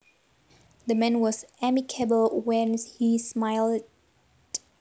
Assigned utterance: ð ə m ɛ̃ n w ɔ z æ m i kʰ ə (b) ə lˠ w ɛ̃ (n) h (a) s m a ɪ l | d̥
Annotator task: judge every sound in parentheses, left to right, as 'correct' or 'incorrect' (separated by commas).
correct, correct, incorrect